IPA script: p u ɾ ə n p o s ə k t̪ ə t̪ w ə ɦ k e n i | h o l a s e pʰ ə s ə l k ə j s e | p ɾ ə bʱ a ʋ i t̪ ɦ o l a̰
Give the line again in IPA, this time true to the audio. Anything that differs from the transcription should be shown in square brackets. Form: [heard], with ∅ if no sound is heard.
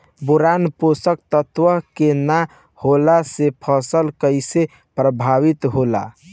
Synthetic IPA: [b] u ɾ [a] n p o s ə k t̪ ə t̪ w ə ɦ k e n [a] | h o l a s e pʰ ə s ə l k ə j s e | p ɾ ə bʱ a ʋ i t̪ ɦ o l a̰